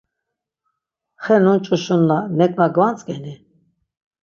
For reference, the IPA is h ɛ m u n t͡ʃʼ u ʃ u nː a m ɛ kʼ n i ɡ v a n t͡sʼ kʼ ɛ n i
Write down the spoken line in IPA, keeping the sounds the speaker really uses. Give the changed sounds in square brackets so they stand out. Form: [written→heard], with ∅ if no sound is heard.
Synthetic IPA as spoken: [h→χ] ɛ [m→n] u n t͡ʃʼ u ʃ u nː a [m→n] ɛ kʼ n [i→a] ɡ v a n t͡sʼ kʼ ɛ n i